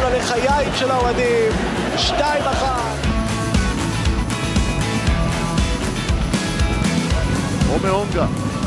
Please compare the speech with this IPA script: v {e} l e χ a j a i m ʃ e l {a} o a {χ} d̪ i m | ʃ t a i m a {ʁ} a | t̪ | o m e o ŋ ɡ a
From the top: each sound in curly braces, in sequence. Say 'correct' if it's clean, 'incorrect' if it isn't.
incorrect: a, correct, incorrect: none, incorrect: χ

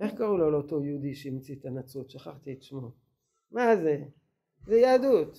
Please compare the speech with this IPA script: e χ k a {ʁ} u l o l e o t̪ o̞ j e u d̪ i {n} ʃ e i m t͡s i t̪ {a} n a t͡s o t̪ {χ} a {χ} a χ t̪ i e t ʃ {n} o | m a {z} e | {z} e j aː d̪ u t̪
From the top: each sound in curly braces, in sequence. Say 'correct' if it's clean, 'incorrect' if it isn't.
correct, incorrect: none, correct, incorrect: ʃ, correct, incorrect: m, correct, correct

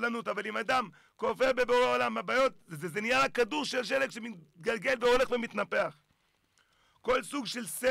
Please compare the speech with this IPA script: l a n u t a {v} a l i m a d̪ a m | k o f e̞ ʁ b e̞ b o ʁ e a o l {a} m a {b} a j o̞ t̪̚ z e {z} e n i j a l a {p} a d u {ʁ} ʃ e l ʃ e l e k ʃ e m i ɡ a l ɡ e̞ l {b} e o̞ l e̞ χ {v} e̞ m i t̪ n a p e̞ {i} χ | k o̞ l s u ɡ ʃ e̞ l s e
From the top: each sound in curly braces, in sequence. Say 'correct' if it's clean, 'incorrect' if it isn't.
correct, correct, correct, correct, incorrect: k, correct, incorrect: v, correct, incorrect: a

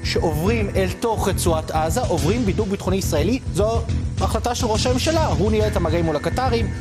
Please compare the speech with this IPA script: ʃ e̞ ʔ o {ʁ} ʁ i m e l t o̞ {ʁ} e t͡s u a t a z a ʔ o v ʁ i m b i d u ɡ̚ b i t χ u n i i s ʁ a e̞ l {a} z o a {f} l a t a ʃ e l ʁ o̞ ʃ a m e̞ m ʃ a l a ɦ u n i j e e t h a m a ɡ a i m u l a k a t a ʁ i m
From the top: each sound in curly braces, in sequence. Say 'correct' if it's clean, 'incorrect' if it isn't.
incorrect: v, incorrect: χ, incorrect: i, incorrect: χ

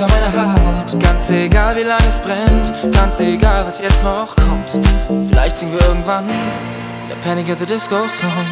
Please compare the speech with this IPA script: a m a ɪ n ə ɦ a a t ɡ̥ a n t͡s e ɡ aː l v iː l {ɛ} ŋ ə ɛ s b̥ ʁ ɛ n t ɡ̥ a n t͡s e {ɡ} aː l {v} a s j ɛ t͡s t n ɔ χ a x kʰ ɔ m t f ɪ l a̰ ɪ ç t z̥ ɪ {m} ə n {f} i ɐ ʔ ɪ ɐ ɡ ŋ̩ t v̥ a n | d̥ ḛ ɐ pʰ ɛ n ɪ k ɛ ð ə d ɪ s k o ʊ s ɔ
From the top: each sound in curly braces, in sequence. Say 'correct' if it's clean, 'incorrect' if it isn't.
incorrect: a, correct, correct, incorrect: ŋ, incorrect: v

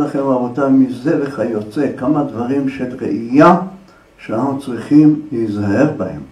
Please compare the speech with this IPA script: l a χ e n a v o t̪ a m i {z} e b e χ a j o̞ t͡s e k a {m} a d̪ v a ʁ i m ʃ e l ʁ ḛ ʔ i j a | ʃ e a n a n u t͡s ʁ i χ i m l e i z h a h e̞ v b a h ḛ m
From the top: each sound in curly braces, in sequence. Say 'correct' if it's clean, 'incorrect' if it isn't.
correct, correct

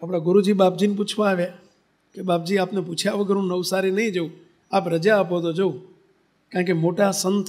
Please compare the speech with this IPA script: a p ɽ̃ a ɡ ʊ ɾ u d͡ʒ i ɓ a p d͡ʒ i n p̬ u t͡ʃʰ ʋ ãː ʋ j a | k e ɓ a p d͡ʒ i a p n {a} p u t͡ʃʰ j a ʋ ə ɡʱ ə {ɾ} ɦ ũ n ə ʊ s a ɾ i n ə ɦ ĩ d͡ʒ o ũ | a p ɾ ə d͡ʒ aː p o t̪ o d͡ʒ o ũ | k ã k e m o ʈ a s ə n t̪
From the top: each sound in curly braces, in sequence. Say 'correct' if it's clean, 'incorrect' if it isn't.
incorrect: e, correct

